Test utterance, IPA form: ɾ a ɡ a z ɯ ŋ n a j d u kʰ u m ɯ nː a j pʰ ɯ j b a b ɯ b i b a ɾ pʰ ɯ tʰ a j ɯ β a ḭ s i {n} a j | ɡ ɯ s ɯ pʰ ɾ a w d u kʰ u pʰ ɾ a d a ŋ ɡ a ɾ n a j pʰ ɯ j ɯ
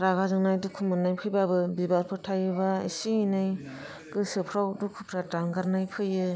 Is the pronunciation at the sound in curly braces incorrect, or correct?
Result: correct